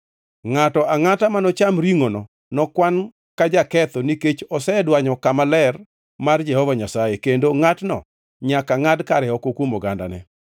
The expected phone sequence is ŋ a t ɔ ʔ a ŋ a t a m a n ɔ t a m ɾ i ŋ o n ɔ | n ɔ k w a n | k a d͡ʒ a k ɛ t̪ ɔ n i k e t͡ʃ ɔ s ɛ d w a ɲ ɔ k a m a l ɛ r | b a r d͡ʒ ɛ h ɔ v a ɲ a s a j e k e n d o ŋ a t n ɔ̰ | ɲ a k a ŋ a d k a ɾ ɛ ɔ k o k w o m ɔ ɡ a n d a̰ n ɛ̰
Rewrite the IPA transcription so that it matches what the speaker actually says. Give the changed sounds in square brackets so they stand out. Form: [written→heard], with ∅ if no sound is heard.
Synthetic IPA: ŋ a t ɔ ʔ a ŋ a t a m a n ɔ [t→t͡ʃ] a m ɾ i ŋ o n ɔ | n ɔ k w a n | k a d͡ʒ a k ɛ t̪ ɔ n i k e t͡ʃ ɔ s ɛ d w a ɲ ɔ k a m a l ɛ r | [b→m] a r d͡ʒ ɛ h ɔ v a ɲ a s a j e k e n d o ŋ a t n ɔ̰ | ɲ a k a ŋ a d k a ɾ ɛ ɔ k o k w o m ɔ ɡ a n d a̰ n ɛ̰